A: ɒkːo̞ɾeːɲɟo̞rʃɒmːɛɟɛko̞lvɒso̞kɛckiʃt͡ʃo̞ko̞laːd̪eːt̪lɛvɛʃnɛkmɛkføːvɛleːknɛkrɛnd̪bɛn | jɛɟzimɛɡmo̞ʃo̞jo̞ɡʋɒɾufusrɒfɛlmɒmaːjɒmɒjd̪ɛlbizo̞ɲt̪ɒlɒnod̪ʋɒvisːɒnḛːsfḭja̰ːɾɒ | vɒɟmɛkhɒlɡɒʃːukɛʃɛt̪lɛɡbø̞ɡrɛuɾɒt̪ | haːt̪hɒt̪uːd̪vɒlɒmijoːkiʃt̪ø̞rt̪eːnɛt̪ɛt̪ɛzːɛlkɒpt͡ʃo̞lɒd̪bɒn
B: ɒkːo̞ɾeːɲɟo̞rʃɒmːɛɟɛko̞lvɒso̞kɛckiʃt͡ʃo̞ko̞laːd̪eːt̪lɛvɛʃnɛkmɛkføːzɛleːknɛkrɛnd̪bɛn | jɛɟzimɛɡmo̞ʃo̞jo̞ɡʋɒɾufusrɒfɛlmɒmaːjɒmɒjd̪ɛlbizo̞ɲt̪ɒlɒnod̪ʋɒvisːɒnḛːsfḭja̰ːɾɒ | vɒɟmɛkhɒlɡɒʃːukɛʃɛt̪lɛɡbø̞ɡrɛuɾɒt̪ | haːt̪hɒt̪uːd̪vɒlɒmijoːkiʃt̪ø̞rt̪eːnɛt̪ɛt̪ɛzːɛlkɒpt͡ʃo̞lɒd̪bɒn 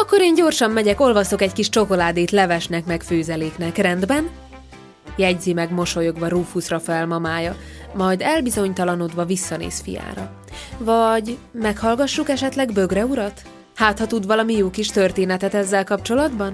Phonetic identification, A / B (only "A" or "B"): B